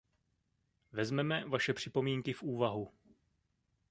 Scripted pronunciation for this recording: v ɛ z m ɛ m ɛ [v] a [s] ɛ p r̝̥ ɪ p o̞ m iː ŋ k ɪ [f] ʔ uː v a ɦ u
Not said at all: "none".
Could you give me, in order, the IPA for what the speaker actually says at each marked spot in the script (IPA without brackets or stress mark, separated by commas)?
v, ʃ, f